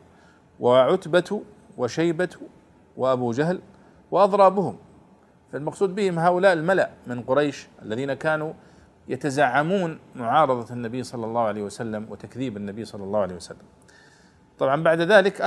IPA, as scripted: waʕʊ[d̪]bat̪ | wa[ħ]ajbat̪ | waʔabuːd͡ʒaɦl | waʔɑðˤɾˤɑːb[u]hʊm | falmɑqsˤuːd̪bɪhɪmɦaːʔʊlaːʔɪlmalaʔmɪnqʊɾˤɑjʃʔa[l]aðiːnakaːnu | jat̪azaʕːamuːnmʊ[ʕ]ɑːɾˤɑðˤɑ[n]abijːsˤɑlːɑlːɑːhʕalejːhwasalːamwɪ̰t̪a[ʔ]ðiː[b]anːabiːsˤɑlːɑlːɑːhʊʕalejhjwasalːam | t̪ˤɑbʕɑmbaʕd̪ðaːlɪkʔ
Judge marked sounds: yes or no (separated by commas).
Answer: no, no, no, no, yes, no, no, yes